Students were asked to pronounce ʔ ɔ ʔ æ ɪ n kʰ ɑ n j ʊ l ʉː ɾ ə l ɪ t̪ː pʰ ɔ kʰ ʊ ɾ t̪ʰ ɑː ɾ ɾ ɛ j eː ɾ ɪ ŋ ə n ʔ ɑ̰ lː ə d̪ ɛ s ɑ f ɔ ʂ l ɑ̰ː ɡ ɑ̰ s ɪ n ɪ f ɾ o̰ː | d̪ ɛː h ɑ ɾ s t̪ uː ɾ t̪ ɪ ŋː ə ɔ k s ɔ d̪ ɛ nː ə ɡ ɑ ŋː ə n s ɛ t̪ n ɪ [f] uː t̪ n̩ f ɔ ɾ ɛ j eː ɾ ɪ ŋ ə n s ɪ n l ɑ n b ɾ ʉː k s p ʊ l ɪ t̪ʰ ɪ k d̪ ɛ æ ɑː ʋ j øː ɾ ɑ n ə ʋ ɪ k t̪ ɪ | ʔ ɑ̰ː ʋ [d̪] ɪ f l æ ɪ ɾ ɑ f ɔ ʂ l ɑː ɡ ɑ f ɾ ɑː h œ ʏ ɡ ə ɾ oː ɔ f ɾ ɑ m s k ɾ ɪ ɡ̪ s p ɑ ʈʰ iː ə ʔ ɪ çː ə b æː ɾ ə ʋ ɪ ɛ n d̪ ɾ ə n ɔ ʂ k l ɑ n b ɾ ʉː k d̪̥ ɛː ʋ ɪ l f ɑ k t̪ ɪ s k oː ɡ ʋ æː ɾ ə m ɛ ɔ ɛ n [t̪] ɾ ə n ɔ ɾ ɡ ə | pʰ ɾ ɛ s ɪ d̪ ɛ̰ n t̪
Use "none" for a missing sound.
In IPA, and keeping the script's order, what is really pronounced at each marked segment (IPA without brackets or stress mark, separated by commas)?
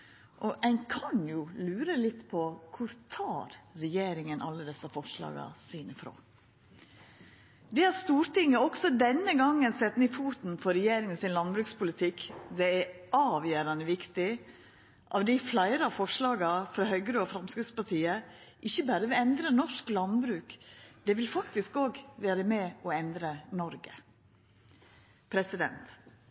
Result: f, d̪, d̪